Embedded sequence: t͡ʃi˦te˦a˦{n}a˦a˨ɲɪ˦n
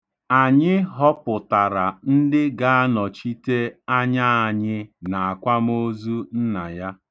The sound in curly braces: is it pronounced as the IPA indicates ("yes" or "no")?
no